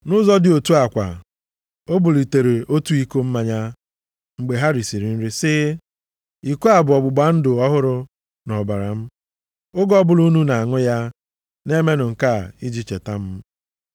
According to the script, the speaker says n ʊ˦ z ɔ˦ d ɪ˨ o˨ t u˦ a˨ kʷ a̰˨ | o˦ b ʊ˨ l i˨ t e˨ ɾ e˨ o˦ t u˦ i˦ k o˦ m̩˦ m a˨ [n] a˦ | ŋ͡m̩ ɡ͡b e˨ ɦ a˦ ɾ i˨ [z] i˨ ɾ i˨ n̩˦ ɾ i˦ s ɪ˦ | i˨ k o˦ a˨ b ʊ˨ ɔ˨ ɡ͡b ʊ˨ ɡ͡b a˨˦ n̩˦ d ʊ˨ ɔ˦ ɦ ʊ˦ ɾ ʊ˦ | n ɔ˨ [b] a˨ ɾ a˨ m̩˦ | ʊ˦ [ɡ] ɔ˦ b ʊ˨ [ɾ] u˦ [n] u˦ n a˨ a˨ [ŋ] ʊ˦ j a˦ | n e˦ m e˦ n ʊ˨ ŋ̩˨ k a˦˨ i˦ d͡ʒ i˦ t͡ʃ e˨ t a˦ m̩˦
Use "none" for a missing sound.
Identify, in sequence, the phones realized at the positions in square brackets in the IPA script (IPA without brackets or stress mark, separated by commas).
ɲ, s, b, ɡ, l, n, ŋ